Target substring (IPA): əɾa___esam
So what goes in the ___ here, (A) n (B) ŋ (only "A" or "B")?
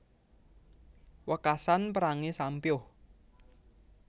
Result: B